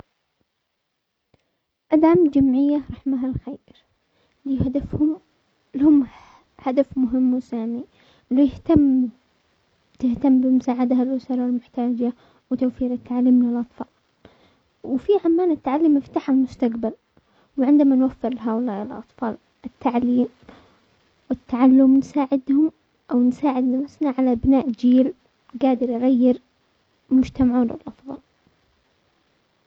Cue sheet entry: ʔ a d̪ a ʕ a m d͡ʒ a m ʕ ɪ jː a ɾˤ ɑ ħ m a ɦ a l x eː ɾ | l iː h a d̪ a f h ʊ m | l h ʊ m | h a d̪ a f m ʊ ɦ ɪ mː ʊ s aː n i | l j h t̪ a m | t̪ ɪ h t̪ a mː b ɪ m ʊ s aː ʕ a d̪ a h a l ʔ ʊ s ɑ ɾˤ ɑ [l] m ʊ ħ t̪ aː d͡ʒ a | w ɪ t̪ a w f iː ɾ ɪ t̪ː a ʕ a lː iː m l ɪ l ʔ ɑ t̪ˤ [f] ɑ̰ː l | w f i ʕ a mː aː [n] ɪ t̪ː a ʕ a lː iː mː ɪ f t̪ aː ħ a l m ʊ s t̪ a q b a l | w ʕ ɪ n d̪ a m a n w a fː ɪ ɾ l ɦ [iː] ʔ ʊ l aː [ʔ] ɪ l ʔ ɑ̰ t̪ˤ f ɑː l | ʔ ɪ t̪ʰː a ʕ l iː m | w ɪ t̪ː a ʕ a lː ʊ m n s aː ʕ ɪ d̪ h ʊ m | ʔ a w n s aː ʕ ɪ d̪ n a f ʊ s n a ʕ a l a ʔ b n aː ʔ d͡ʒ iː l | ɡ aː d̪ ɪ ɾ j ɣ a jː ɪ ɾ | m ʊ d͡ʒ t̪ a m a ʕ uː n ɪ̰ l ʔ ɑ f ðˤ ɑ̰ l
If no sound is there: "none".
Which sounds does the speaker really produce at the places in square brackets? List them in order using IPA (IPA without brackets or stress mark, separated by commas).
l, f, n, aː, ʔ